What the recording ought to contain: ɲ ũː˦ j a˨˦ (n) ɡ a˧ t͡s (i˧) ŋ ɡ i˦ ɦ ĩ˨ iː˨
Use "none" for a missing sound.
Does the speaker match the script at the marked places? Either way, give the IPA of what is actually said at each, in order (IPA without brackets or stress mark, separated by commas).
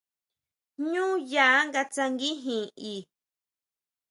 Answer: ŋ, a˧